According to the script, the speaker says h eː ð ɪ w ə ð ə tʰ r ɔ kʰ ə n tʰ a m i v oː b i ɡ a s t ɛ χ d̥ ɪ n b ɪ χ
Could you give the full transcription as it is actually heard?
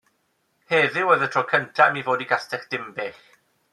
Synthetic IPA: h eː ð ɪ w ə ð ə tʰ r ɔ kʰ ə n tʰ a m i v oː d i ɡ a s t ɛ χ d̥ ɪ m b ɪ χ